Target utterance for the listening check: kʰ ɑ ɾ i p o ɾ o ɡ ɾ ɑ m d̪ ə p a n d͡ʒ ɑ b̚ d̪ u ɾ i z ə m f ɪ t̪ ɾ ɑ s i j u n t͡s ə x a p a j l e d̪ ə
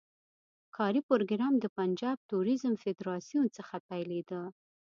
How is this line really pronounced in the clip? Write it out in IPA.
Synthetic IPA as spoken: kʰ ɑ ɾ i p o ɾ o ɡ ɾ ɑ m d̪ ə p a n d͡ʒ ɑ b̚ t̪ u ɾ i z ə m f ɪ d̪ ɾ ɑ s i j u n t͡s ə x a p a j l e d̪ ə